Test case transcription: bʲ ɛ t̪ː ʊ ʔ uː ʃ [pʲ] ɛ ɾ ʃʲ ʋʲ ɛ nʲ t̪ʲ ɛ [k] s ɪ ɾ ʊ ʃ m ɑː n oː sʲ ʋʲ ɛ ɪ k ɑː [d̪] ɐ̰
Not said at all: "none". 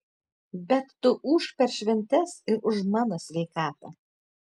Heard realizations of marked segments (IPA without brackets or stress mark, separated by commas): pʲ, none, t̪